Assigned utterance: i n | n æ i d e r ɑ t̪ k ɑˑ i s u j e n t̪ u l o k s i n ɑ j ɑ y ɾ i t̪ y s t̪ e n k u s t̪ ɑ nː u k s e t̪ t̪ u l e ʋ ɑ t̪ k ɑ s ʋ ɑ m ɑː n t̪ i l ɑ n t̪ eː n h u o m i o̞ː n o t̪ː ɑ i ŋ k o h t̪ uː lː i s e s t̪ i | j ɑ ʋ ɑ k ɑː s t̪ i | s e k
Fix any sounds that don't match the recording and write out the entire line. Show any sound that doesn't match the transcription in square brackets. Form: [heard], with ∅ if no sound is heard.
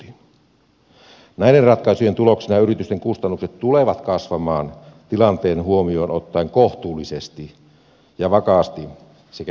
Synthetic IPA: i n | n æ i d e r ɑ t̪ k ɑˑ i s u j e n t̪ u l o k s i n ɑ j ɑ y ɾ i t̪ y s t̪ e [ŋ] k u s t̪ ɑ nː u k s e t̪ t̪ u l e ʋ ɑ t̪ k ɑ s ʋ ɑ m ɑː n t̪ i l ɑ n t̪ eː n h u o m i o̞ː n o t̪ː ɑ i ŋ k o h t̪ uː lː i s e s t̪ i | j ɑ ʋ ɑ k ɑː s t̪ i | s e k